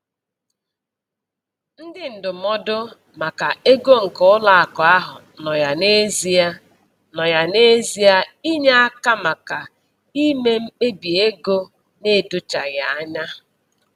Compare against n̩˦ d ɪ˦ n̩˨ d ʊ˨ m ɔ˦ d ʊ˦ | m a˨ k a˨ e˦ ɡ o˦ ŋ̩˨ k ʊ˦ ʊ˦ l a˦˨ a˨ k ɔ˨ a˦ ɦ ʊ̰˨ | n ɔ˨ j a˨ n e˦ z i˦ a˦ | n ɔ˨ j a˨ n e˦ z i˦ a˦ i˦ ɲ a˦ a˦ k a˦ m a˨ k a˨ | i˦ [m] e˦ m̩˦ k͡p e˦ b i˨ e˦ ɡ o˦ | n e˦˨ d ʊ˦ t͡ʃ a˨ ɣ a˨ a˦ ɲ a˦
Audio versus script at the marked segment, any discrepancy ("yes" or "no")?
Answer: no